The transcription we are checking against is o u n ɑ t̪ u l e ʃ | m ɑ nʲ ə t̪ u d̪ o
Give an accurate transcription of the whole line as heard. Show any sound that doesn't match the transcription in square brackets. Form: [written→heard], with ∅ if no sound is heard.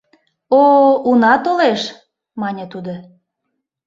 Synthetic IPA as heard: o u n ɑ t̪ [u→o] l e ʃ | m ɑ nʲ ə t̪ u d̪ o